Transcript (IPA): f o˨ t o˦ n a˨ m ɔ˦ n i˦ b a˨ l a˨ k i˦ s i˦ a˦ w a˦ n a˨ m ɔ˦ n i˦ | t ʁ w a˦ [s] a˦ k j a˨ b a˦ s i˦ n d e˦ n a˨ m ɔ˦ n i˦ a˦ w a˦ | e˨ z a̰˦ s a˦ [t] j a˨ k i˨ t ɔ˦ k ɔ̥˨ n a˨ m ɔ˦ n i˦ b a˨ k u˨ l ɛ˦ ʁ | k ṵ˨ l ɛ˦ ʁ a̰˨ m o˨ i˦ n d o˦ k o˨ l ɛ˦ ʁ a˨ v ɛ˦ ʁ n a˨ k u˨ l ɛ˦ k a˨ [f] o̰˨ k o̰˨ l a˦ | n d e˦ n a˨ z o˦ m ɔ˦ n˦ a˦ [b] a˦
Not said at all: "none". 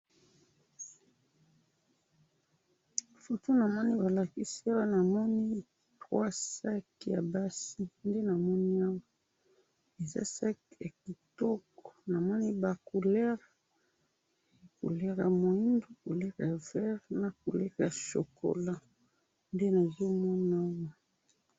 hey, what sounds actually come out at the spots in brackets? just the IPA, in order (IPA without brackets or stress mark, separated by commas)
s, k, ʃ, w